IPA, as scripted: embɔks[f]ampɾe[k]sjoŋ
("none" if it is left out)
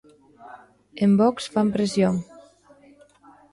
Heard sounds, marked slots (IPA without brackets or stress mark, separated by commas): f, none